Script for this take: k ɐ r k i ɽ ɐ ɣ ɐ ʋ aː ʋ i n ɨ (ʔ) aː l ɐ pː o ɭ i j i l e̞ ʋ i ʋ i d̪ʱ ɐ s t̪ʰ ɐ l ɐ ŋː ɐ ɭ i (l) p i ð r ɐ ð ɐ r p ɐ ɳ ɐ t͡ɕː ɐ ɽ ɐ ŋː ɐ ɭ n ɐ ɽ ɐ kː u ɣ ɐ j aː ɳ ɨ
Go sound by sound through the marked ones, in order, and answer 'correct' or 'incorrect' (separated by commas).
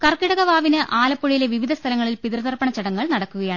correct, correct